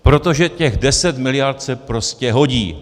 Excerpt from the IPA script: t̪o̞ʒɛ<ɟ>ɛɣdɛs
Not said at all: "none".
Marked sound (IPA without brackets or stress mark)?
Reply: c